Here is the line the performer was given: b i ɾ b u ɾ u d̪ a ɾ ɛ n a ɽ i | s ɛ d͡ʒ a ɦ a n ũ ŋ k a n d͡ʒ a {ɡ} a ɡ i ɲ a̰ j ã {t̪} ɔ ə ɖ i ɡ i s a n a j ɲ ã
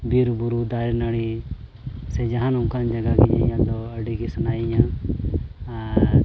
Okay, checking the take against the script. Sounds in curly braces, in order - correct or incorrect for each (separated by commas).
correct, incorrect